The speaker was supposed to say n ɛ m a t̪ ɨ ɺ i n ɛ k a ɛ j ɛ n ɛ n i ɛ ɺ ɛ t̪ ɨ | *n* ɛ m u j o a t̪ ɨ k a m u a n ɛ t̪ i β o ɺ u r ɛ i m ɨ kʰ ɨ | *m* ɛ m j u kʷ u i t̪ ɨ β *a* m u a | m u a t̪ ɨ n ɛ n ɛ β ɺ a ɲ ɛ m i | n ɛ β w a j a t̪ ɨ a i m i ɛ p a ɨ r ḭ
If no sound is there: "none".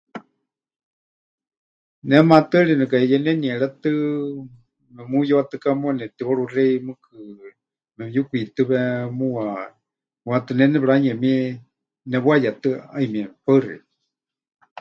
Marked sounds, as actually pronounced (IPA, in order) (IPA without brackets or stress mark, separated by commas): m, m, ɛ